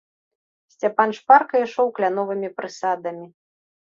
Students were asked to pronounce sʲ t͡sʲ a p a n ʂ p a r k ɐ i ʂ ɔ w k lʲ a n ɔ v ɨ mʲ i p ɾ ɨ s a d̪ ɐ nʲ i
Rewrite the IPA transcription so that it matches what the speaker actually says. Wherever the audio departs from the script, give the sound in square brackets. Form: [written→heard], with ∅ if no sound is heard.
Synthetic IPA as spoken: sʲ t͡sʲ a p a n ʂ p a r k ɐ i ʂ ɔ w k lʲ a n ɔ v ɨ mʲ i p ɾ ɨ s a d̪ ɐ [nʲ→mʲ] i